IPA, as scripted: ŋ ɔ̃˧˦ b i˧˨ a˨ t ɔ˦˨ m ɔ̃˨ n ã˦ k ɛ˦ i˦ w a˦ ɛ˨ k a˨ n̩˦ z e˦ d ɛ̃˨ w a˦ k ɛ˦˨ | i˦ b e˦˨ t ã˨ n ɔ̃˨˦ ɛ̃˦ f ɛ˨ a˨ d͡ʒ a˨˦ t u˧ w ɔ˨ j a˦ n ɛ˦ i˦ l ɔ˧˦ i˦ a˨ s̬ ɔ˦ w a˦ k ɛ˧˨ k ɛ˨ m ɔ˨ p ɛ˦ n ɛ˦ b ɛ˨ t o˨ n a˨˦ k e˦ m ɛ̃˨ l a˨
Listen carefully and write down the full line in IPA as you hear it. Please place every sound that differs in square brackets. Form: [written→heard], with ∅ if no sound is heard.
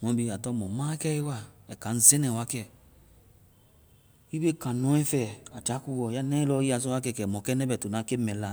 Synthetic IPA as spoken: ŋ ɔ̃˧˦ b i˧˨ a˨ t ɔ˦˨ m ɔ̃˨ [n→m] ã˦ k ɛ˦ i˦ w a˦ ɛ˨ k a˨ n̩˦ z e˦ [d→n] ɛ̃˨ w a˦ k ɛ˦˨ | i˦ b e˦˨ [t→k] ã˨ n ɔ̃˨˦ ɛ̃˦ f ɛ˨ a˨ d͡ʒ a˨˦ [t→k] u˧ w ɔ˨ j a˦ n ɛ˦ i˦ l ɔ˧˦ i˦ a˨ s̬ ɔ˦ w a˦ k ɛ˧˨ k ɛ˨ m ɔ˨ [p→k] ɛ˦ n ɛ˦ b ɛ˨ t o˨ n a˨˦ k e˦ m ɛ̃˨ l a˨

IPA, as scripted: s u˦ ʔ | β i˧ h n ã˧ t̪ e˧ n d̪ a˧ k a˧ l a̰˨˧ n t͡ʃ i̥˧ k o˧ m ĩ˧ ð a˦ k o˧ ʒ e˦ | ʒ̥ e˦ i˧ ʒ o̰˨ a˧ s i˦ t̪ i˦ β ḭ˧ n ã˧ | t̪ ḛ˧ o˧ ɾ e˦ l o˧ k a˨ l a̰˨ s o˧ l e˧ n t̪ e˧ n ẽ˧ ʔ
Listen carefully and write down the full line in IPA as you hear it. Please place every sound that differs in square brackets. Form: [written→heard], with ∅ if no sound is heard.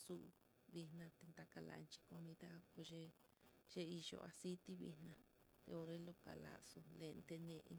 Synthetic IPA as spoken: s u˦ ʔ | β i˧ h n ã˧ t̪ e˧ n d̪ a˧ k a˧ l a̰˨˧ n t͡ʃ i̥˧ k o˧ m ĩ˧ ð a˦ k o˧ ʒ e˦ | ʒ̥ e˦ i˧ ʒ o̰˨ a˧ s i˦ t̪ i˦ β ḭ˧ n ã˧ | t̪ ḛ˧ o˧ ɾ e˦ l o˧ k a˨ l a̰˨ s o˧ l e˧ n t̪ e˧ n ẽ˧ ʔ

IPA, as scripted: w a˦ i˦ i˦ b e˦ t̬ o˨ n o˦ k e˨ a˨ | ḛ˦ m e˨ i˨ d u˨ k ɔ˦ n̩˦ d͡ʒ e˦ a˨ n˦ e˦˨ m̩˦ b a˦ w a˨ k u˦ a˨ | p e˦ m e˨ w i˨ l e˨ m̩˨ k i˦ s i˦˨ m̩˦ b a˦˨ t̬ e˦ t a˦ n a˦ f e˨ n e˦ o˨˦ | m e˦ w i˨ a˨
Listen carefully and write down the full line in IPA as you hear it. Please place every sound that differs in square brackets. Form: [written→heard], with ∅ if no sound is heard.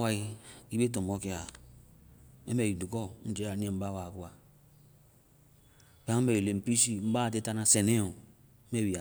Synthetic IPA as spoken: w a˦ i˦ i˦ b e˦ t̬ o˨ [n→m] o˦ k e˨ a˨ | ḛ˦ m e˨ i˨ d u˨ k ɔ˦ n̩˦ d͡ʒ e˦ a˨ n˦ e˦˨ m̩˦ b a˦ w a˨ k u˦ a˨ | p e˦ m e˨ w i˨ l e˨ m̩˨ [k→p] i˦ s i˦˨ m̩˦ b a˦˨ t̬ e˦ t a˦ n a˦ [f→s] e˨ n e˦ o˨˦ | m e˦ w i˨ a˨

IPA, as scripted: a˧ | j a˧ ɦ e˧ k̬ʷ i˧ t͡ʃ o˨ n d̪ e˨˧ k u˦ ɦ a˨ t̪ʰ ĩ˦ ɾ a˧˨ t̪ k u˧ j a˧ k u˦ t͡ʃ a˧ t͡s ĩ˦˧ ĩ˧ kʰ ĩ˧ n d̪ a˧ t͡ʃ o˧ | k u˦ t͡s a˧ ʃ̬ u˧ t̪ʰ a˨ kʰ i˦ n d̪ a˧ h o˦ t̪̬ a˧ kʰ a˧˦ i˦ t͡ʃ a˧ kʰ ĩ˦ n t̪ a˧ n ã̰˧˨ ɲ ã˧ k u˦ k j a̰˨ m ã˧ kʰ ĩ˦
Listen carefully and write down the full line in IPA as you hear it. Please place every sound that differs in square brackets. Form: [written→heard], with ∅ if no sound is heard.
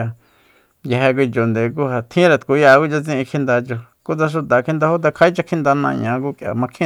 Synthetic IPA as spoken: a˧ | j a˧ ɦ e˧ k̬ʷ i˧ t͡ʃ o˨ n d̪ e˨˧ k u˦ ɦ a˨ t̪ʰ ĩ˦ ɾ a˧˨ t̪ k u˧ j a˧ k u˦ t͡ʃ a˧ t͡s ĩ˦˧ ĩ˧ kʰ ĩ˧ n d̪ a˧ t͡ʃ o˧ | k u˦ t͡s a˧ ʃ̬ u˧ [t̪ʰ→t̪] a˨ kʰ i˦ n d̪ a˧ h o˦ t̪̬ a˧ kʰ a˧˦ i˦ t͡ʃ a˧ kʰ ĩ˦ n [t̪→d̪] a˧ n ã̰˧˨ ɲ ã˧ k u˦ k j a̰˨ m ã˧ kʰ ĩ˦

